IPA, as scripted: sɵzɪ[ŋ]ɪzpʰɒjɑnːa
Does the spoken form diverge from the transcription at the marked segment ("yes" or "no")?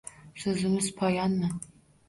yes